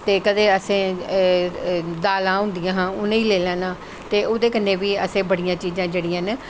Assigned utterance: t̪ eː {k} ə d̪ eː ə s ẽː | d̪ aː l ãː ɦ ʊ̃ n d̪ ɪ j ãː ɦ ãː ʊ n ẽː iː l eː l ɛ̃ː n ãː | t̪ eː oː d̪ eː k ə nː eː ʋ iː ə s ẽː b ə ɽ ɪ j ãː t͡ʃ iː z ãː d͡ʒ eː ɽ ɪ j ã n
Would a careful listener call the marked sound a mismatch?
no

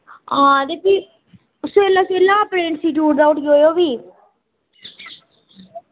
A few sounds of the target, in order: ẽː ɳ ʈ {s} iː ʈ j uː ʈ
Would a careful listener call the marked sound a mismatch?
no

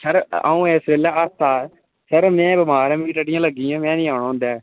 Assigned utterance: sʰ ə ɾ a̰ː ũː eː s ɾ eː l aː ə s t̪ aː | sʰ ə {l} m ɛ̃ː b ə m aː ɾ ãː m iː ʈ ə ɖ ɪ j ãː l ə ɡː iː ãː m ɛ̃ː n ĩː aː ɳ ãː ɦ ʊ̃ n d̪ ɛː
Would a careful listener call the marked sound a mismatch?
yes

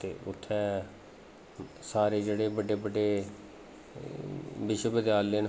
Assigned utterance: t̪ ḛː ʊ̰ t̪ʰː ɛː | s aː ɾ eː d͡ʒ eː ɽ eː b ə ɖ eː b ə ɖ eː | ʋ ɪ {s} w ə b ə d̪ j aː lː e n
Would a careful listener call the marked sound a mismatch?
yes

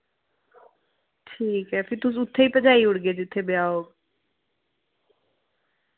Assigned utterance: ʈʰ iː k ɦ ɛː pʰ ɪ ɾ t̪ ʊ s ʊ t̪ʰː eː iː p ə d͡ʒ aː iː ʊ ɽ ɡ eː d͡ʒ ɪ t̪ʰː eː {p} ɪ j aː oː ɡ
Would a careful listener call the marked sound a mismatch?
yes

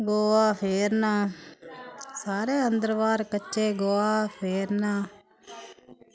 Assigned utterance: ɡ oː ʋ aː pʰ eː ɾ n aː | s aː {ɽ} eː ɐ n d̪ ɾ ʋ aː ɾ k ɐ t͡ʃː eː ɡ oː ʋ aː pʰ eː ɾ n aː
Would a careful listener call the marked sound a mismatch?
yes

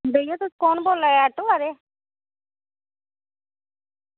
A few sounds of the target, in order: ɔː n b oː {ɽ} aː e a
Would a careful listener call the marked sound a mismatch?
yes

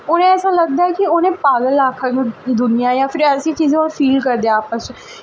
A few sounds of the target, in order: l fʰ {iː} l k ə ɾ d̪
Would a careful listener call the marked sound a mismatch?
no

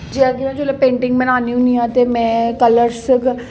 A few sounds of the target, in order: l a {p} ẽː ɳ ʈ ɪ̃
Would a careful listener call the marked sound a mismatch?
no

